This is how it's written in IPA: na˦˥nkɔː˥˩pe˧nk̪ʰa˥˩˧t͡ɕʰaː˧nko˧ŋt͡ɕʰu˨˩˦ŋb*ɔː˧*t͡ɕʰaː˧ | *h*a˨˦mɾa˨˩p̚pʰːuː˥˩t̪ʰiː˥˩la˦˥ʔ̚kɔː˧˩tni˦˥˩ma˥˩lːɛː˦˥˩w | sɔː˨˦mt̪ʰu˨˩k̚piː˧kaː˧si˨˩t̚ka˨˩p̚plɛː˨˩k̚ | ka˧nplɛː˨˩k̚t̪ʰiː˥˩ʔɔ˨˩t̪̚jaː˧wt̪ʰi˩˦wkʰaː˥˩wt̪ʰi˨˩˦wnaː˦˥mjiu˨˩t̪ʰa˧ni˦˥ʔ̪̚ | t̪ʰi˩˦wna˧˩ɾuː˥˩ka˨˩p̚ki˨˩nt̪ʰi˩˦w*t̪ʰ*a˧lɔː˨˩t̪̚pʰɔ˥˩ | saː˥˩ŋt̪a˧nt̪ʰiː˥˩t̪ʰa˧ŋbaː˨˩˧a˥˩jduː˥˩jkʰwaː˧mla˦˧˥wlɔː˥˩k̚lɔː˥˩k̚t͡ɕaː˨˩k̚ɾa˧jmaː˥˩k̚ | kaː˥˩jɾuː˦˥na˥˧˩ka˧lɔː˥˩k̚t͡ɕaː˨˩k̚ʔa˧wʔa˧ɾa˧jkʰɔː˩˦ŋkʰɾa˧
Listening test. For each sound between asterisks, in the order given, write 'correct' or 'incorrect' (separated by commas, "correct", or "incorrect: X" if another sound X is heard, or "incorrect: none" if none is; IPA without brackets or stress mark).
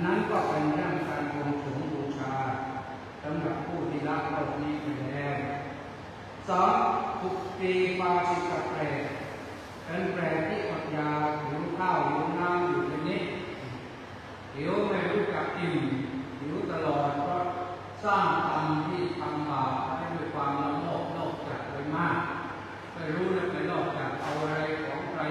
incorrect: uː˧, incorrect: s, incorrect: t̪